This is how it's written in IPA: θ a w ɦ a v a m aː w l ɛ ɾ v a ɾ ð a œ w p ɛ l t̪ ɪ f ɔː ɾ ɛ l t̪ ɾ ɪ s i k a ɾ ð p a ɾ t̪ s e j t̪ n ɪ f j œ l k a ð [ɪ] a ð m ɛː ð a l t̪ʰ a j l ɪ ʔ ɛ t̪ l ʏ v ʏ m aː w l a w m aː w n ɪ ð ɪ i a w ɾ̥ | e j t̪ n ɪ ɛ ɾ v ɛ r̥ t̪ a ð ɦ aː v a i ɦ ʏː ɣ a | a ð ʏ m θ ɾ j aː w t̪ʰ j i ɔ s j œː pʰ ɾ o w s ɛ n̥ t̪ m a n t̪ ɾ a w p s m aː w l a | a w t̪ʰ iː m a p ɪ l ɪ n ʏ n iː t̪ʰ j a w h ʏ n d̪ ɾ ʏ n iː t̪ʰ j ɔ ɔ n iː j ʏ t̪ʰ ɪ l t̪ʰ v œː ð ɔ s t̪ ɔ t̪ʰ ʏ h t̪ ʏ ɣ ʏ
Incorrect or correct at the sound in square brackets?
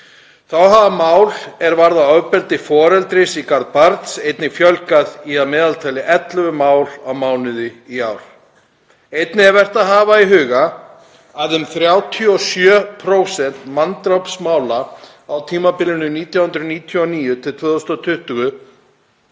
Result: incorrect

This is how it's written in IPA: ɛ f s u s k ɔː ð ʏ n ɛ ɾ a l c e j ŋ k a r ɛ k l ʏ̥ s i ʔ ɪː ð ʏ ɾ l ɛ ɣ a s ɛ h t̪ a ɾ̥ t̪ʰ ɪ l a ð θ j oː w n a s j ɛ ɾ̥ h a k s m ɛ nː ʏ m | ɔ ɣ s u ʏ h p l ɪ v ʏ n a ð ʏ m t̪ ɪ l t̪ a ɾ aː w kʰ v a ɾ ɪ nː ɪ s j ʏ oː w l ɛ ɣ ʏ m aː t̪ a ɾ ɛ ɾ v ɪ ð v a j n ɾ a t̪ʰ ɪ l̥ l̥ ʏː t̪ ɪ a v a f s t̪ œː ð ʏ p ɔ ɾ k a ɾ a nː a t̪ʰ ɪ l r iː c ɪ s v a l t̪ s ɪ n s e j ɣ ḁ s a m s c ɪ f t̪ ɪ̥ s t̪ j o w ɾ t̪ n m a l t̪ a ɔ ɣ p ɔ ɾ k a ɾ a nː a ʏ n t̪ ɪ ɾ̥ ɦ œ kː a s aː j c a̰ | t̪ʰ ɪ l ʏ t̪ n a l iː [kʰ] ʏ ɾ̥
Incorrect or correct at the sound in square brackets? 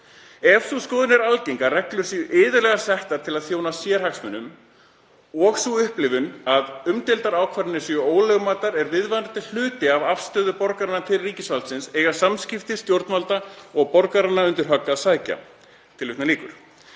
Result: incorrect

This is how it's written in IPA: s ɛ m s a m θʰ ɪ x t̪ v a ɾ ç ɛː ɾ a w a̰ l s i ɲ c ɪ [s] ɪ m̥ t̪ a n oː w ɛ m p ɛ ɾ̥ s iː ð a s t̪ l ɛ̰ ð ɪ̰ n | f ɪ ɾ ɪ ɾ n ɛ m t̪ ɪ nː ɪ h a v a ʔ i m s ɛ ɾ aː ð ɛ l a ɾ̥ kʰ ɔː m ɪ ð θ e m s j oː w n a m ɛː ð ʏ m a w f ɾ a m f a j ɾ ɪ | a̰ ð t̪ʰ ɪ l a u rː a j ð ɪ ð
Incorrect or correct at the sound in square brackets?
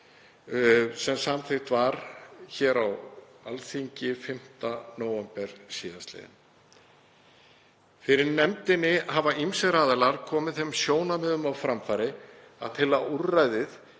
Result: incorrect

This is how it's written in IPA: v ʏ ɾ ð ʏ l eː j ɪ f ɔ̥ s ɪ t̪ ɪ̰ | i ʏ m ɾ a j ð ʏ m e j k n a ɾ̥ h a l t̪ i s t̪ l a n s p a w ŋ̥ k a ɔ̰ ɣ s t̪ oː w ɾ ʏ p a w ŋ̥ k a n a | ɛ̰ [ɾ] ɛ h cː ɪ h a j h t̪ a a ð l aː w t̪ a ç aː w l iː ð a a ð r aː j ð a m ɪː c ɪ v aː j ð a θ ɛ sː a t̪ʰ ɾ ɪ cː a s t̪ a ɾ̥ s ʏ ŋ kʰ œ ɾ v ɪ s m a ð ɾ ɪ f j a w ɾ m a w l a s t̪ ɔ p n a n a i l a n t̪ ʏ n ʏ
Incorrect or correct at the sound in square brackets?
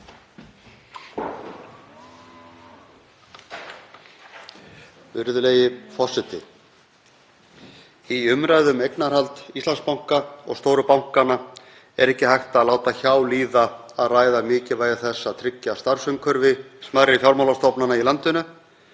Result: correct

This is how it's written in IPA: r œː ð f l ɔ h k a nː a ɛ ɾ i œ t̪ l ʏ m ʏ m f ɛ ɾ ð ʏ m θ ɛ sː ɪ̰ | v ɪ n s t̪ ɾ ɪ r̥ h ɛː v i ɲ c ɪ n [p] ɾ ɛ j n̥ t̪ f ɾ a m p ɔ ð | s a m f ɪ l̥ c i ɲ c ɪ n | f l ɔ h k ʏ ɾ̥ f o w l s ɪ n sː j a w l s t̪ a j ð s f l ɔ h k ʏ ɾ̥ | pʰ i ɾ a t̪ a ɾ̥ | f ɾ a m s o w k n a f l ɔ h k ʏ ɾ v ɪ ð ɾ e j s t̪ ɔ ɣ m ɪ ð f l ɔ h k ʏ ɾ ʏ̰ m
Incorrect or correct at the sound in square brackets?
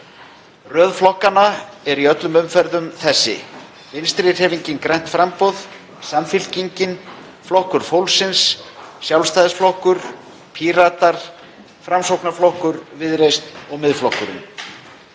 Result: incorrect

